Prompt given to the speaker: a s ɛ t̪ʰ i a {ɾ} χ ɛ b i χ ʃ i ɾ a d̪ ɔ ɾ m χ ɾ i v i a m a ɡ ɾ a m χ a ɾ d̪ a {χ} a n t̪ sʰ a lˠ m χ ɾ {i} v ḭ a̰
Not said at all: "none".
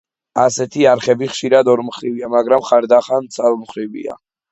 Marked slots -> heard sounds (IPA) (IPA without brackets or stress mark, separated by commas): ɾ, χ, i